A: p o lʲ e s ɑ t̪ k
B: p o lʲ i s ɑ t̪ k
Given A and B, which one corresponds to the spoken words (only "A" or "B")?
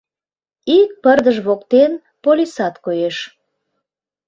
B